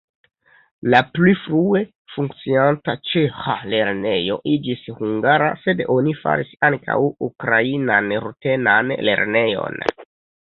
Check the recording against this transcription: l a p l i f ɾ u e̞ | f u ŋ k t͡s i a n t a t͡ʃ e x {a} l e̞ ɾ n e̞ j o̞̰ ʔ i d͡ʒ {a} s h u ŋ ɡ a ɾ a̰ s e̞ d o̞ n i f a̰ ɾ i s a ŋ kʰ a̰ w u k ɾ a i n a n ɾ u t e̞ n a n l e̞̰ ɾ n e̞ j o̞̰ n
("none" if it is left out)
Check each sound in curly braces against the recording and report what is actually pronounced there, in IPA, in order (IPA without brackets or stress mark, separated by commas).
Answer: a, i